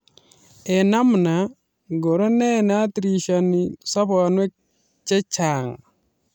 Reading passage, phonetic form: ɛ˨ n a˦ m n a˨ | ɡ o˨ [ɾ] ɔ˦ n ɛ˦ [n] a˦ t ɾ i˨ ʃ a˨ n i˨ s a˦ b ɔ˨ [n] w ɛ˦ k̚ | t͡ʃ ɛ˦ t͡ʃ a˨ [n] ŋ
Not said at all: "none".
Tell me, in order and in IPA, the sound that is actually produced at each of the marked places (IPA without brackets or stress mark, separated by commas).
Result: ɾ, n, n, none